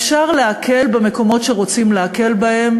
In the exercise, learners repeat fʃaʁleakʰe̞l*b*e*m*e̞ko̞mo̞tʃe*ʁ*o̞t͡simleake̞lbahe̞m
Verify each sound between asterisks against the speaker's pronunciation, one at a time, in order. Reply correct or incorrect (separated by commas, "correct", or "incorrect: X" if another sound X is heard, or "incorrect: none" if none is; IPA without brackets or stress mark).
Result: correct, correct, correct